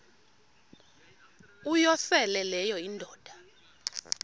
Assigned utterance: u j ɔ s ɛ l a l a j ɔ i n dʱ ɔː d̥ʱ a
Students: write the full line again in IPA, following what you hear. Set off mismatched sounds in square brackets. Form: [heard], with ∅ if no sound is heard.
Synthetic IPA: u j ɔ s ɛ l [ɛ] l [ɛ] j ɔ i n dʱ ɔː d̥ʱ a

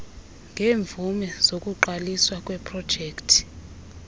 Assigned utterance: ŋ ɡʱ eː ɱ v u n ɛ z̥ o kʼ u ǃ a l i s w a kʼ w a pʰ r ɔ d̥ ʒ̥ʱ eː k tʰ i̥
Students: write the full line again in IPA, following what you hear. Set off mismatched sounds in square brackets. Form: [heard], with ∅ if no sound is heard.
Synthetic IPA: ŋ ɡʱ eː ɱ v u [m] ɛ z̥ o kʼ u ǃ a l i s w a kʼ w [ɛ] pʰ r ɔ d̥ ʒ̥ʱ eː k tʰ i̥

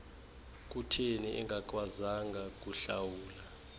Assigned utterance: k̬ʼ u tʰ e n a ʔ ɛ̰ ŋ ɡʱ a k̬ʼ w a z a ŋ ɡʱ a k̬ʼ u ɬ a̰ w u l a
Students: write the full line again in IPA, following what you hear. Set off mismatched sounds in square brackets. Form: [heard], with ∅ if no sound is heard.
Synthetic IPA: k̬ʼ u tʰ e n [i] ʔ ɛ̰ ŋ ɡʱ a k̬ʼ w a z a ŋ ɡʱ a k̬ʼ u ɬ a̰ w [uː] l a

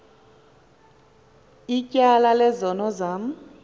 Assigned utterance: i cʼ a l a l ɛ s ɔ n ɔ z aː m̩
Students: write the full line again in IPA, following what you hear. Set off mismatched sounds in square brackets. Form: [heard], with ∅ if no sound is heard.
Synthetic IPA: i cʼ a l a l ɛ [z] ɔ n ɔ z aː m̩

